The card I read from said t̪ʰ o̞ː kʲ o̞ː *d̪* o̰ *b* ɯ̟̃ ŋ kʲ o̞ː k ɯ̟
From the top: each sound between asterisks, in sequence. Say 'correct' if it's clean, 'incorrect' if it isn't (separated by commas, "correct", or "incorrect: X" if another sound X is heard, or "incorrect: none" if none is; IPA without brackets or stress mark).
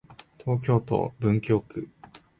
incorrect: t̪, correct